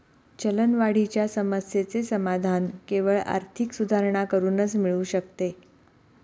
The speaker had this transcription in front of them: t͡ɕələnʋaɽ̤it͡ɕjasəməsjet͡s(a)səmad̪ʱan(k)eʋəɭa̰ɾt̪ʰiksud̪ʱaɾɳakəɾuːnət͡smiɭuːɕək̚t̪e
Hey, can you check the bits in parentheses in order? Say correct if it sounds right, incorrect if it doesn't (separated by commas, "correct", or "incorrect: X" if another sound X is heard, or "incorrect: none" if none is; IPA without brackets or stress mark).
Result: incorrect: e, correct